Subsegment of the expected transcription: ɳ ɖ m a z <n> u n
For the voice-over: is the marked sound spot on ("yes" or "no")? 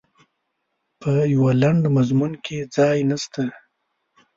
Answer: no